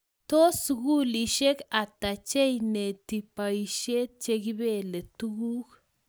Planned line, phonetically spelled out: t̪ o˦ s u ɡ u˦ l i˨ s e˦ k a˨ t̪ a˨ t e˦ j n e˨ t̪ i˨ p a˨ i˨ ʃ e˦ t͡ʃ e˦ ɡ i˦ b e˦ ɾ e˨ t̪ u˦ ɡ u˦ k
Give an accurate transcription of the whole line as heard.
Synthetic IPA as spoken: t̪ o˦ s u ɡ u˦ l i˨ ʃ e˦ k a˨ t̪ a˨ t͡ʃ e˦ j n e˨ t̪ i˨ p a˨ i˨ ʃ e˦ t͡ʃ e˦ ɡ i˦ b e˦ l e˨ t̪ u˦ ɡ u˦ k